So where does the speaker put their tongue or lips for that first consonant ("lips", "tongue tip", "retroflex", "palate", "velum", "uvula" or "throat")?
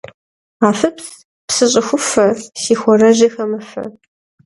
lips